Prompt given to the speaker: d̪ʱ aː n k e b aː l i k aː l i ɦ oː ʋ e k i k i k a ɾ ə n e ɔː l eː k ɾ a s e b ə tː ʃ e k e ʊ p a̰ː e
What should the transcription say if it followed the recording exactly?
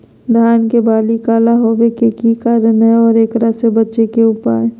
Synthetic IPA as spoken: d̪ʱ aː n k e b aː l i k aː l a ɦ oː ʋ e k e k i k a ɾ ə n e ɔː ɾ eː k ɾ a s e b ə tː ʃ e k e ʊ p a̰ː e